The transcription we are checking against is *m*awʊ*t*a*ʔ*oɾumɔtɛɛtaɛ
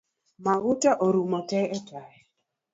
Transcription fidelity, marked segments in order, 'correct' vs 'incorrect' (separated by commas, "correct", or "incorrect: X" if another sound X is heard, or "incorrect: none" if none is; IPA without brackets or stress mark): correct, correct, correct